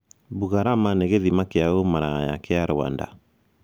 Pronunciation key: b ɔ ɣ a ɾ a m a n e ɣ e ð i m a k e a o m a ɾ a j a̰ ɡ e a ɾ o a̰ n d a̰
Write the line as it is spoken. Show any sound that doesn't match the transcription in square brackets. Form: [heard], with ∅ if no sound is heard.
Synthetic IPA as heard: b [u] ɣ a ɾ a m a n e ɣ e ð i m a k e a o m a ɾ a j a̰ [k] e a ɾ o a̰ n d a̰